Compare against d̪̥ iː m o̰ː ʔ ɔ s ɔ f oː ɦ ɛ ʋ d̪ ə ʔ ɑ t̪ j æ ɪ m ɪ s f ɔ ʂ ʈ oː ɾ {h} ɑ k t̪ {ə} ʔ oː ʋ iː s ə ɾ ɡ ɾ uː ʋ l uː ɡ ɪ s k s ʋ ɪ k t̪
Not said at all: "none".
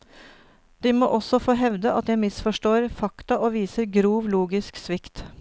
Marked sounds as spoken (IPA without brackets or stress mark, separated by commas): f, ɑ